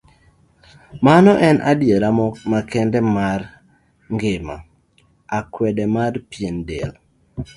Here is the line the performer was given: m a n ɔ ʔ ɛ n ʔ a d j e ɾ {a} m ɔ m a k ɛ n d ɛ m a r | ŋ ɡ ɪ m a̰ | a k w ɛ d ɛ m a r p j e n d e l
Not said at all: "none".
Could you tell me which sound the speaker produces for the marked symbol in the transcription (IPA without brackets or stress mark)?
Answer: a